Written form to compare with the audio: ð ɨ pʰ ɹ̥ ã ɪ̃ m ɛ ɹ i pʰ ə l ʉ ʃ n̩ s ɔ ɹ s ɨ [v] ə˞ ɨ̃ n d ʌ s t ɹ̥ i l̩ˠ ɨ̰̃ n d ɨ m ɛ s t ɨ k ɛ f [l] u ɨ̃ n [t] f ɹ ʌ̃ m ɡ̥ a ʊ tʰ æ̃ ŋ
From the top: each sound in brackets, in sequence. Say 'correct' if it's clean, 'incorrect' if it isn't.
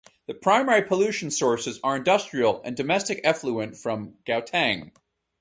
incorrect: z, correct, correct

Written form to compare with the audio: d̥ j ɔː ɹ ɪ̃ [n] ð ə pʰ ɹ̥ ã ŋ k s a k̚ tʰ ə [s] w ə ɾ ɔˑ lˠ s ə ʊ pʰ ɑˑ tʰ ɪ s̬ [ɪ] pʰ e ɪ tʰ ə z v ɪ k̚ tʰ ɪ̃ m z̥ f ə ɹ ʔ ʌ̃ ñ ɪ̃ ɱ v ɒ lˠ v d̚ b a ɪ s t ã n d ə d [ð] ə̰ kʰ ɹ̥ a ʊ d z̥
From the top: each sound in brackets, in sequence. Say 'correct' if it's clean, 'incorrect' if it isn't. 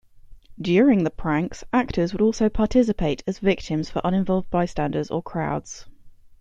incorrect: ŋ, incorrect: z, correct, incorrect: z

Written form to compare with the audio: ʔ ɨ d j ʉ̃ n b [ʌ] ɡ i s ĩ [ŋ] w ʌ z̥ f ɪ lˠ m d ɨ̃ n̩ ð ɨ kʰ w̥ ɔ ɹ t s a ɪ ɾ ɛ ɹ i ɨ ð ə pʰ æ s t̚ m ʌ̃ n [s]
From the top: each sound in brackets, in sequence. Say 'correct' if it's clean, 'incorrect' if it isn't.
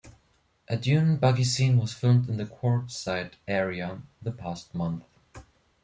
correct, incorrect: n, incorrect: θ

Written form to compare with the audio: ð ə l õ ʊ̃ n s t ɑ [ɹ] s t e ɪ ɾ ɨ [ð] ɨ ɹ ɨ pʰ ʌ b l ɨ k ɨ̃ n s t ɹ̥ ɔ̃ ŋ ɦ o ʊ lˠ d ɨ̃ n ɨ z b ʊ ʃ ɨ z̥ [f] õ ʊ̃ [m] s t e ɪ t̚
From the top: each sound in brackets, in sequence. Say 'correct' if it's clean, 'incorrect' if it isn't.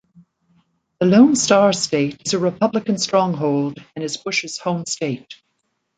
correct, incorrect: z, incorrect: h, correct

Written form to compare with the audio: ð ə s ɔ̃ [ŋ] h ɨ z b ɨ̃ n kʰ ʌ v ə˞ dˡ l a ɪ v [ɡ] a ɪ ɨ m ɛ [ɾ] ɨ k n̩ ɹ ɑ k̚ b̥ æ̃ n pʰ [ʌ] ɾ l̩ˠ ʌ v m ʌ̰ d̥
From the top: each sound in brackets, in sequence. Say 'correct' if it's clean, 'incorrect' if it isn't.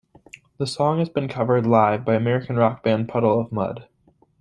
correct, incorrect: b, incorrect: ɹ, correct

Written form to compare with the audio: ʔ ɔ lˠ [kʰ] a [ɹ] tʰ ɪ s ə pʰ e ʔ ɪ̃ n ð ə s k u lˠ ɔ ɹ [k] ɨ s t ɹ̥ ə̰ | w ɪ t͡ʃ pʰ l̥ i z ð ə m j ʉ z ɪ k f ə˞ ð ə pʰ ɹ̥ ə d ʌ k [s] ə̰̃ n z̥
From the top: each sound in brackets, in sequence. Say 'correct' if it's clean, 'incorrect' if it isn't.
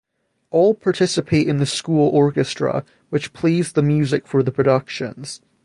incorrect: pʰ, correct, correct, incorrect: ʃ

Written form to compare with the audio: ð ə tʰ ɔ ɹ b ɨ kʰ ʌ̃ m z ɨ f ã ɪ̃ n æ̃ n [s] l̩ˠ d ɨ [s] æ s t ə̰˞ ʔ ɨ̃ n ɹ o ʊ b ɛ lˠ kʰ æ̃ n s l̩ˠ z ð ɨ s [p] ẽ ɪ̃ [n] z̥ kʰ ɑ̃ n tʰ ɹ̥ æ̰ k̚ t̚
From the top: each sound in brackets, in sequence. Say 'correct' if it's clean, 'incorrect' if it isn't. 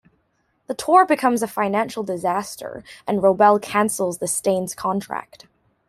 incorrect: ʃ, incorrect: z, incorrect: t, correct

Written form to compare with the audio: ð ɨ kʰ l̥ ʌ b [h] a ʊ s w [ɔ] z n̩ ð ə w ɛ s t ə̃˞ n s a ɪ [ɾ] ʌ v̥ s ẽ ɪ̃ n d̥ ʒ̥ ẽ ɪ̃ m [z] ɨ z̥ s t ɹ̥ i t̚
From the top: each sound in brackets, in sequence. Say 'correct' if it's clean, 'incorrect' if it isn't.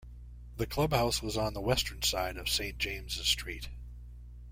correct, incorrect: ʌ, correct, correct

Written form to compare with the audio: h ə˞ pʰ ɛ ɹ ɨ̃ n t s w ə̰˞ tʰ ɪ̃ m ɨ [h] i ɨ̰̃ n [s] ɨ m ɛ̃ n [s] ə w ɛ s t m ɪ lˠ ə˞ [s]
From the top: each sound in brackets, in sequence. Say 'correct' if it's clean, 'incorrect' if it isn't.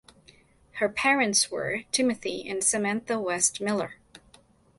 incorrect: θ, correct, incorrect: θ, incorrect: none

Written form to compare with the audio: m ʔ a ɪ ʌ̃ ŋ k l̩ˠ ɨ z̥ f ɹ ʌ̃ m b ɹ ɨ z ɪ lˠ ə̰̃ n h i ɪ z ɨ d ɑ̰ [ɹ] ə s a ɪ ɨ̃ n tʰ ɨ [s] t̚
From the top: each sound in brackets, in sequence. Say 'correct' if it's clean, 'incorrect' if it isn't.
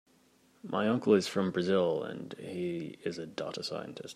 incorrect: ɾ, correct

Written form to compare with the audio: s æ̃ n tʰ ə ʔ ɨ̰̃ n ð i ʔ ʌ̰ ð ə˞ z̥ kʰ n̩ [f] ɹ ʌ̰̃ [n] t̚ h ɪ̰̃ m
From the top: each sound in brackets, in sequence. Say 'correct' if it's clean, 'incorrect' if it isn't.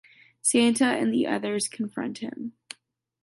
correct, correct

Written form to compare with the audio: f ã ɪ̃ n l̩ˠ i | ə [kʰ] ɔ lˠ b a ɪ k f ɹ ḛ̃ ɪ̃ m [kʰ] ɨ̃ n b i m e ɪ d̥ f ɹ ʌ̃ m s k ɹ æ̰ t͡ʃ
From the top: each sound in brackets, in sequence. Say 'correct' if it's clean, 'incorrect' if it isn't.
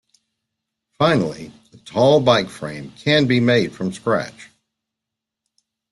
incorrect: tʰ, correct

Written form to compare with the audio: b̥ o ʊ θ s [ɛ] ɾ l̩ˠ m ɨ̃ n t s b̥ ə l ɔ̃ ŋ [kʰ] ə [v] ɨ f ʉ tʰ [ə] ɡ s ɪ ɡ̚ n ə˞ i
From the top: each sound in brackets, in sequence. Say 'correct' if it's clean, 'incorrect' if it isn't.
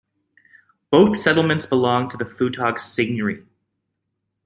correct, incorrect: tʰ, incorrect: ð, incorrect: ɑ

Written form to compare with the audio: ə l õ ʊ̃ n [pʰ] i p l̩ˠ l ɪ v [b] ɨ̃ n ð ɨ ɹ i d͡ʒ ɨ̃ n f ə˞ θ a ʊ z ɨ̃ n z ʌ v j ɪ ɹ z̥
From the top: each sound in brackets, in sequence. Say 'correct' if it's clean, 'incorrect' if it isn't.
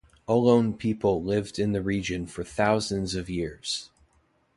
correct, incorrect: d

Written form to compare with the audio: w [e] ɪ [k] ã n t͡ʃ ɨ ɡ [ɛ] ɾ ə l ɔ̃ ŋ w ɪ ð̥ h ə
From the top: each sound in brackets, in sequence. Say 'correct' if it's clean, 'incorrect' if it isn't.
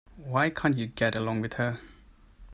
incorrect: a, incorrect: kʰ, correct

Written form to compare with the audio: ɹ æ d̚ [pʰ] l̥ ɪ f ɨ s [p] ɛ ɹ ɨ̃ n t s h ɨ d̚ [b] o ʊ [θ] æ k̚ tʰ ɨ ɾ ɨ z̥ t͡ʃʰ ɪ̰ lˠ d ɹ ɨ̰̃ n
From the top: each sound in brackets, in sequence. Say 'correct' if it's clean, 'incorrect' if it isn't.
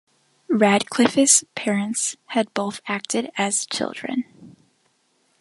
incorrect: kʰ, incorrect: pʰ, correct, correct

